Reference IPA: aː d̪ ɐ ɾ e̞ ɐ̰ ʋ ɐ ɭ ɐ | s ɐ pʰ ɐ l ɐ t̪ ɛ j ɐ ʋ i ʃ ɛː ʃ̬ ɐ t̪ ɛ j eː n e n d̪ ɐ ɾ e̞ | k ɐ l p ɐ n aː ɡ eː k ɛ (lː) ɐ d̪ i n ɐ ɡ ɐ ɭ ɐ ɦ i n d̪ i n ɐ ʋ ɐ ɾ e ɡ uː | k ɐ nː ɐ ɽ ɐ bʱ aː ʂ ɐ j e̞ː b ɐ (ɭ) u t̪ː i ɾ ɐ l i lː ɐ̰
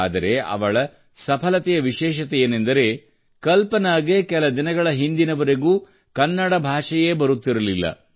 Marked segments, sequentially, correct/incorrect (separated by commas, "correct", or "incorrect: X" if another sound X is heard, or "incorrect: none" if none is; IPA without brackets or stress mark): incorrect: l, incorrect: ɾ